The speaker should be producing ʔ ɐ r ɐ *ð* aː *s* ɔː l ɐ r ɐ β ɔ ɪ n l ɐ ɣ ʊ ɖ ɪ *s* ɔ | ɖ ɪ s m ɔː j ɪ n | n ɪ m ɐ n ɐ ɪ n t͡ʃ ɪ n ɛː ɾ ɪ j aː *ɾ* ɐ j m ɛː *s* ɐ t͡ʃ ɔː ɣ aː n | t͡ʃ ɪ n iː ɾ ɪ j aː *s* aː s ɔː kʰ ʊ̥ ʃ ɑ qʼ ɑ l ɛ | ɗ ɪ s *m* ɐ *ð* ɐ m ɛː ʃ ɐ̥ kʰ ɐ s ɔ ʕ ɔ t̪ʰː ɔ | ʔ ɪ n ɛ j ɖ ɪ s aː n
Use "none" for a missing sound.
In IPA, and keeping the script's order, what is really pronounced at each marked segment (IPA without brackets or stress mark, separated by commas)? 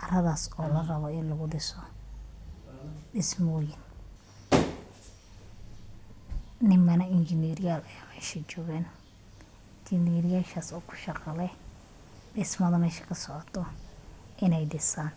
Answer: ð, s, s, l, ʃ, ʃ, m, ð